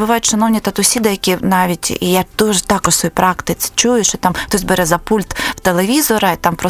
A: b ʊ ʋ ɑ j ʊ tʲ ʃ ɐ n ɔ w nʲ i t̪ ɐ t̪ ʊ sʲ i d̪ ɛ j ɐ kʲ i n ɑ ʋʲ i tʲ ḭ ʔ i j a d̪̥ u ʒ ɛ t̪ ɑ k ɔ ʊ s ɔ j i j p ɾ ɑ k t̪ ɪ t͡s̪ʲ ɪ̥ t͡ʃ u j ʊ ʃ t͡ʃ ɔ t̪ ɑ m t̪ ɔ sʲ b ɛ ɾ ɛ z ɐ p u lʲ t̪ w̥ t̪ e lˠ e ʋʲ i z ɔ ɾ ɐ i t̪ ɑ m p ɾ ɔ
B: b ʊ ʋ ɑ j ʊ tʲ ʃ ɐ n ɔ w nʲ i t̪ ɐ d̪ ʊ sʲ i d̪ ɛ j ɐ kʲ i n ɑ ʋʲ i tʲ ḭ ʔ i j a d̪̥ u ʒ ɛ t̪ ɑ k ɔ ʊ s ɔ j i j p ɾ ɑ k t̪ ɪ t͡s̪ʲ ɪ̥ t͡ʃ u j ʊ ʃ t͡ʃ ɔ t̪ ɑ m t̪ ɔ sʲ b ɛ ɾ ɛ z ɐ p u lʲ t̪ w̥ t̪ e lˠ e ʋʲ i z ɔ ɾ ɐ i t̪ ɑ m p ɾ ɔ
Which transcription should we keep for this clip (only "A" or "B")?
A